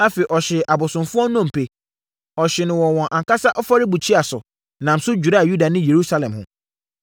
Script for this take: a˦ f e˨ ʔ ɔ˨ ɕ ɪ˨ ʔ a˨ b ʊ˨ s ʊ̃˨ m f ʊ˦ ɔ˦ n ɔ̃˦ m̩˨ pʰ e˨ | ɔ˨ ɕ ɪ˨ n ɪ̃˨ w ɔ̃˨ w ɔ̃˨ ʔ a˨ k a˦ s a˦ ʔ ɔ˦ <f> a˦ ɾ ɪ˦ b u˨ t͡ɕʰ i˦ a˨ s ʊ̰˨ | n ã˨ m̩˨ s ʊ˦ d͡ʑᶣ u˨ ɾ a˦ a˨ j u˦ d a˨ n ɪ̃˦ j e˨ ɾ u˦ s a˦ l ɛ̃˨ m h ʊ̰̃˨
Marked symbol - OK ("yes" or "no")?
yes